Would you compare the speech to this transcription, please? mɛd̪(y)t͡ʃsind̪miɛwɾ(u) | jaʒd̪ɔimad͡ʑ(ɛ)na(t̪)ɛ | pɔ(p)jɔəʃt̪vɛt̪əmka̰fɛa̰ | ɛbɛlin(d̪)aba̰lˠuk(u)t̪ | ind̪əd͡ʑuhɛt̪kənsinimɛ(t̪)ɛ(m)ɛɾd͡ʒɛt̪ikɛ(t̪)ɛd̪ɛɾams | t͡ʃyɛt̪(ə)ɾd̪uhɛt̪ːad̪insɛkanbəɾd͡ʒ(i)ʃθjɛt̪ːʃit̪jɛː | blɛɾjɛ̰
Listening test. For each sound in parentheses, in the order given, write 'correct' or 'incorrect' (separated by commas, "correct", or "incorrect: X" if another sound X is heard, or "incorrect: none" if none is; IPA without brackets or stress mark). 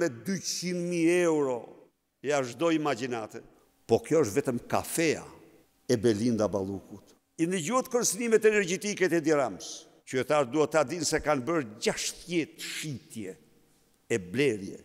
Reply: correct, incorrect: ɔ, incorrect: i, correct, incorrect: k, correct, correct, correct, incorrect: n, correct, incorrect: a, incorrect: a